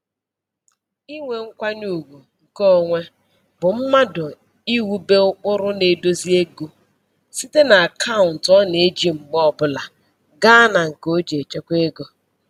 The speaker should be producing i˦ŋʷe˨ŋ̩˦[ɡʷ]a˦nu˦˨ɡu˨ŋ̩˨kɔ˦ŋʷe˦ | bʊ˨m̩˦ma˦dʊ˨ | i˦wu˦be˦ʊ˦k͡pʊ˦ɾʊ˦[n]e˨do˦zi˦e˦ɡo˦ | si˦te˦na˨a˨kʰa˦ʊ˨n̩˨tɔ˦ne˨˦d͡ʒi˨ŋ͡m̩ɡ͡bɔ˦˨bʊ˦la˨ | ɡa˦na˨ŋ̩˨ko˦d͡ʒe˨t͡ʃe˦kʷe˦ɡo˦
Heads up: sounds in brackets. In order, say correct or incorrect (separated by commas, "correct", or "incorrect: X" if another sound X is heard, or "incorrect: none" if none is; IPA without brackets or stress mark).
incorrect: kʷ, correct